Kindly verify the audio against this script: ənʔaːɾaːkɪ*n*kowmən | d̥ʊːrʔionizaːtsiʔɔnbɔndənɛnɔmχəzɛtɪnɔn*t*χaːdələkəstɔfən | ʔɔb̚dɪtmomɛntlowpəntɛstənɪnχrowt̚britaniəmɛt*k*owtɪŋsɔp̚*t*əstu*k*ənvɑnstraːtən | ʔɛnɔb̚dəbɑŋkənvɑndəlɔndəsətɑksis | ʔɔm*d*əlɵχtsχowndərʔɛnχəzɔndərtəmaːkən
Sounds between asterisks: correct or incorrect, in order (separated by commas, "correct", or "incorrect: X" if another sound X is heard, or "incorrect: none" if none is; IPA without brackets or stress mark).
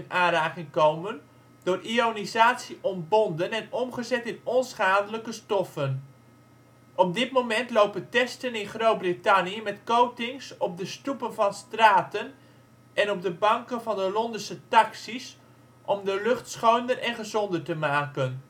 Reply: incorrect: ŋ, incorrect: s, correct, incorrect: d, incorrect: p, correct